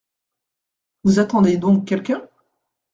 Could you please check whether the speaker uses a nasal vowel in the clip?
yes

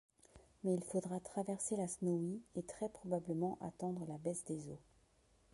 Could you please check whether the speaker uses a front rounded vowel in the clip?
no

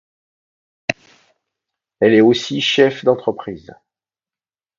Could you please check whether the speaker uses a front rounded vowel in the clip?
no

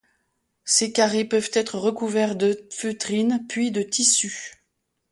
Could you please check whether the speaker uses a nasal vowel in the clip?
no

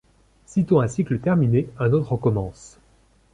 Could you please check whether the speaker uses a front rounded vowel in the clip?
no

